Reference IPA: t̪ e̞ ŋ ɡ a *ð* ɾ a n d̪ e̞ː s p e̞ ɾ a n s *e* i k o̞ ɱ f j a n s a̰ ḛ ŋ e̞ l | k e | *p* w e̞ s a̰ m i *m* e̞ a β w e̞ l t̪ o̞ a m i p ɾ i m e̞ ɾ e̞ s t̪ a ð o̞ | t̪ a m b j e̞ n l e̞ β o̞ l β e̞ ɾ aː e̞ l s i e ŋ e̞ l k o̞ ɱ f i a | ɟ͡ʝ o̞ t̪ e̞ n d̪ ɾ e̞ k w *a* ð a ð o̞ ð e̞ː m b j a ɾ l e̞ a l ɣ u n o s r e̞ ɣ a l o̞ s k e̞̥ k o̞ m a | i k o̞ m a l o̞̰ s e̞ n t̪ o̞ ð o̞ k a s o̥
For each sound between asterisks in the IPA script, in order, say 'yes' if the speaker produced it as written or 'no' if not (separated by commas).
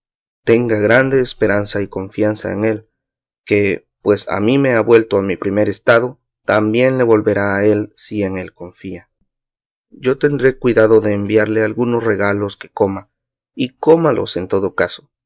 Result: no, no, yes, yes, no